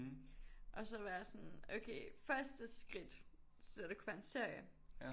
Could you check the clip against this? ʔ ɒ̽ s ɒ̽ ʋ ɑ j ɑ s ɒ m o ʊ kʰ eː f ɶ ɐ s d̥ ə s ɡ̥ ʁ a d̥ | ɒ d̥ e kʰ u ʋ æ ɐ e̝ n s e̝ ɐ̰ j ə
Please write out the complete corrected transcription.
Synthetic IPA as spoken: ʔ ɒ̽ s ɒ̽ ʋ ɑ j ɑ s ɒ n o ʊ kʰ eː f ɶ ɐ s d̥ ə s ɡ̥ ʁ i d̥ | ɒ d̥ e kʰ u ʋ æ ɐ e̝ n s e̝ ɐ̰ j ə